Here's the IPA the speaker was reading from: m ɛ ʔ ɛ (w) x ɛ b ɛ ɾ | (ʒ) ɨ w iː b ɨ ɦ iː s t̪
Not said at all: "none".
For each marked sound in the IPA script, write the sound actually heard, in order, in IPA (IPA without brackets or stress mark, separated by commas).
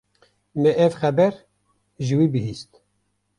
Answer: v, ʒ